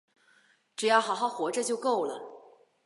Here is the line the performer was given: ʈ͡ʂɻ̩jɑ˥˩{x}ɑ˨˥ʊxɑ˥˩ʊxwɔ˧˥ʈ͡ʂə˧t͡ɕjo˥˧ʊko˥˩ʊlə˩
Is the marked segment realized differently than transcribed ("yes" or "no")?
no